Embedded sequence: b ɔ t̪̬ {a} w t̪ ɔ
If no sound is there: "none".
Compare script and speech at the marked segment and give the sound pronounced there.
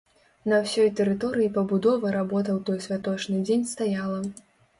ɐ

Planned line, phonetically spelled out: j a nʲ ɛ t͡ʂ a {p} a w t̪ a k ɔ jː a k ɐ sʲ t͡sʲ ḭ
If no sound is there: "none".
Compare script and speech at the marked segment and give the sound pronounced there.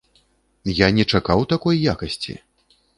k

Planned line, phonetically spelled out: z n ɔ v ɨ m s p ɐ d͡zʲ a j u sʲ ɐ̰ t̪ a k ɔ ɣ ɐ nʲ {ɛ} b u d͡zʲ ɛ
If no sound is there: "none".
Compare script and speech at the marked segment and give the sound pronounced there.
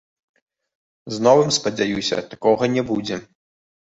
ɛ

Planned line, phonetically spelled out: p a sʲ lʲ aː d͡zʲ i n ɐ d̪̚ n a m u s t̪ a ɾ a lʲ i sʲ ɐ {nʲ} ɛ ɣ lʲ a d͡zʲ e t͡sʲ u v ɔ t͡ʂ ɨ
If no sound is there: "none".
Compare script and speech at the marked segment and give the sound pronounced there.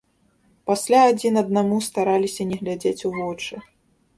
nʲ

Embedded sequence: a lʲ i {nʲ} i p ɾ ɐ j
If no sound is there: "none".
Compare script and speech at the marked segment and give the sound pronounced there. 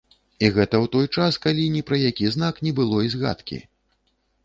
nʲ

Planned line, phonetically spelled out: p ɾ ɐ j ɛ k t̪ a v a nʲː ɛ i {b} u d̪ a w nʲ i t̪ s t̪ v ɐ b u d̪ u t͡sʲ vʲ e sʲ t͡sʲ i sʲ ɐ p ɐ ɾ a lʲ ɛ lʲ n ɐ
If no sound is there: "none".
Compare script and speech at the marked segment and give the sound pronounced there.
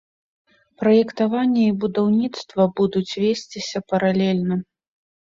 b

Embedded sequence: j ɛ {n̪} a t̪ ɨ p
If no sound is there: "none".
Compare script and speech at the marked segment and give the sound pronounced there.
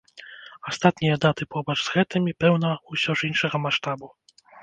d̪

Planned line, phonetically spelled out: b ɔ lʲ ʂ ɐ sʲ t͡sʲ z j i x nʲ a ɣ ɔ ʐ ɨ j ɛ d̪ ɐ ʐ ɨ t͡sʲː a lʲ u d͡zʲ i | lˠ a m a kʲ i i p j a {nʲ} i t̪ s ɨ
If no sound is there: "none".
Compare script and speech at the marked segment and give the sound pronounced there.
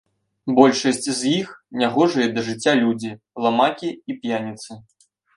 nʲ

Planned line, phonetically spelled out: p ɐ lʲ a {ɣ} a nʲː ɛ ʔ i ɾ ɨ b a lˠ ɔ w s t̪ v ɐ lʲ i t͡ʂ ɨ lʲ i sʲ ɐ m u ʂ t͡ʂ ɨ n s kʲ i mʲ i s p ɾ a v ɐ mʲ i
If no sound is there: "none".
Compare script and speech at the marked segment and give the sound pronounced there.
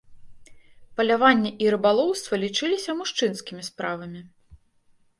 v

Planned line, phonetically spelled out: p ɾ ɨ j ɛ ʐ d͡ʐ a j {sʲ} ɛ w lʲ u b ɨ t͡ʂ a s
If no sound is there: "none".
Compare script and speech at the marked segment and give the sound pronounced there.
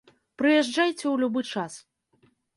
t͡sʲ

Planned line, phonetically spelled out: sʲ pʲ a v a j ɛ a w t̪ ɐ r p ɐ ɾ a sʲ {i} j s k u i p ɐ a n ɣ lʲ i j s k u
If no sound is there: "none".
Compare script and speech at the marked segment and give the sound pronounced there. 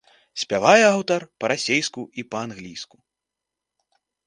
e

